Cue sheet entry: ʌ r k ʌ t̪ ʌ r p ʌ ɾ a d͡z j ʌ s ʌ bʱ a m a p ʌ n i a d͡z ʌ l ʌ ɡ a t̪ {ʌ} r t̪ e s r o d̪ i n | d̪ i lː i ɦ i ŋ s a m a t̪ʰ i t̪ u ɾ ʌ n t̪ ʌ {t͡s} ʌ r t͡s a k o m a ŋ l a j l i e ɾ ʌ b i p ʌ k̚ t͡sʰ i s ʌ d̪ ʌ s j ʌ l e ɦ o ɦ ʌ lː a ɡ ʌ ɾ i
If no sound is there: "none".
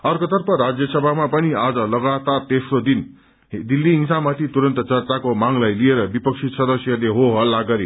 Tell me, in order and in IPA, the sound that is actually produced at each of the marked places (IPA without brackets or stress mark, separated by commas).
a, t͡s